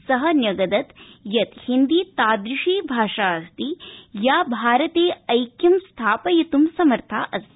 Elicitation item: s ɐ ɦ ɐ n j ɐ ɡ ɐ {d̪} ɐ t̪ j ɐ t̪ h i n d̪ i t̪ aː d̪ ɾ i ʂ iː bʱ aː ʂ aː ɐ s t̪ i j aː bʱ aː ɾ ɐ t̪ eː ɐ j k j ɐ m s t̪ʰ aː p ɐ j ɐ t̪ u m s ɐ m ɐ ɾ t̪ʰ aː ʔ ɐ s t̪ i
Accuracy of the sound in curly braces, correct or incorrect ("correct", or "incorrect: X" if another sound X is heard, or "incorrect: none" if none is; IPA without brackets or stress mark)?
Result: correct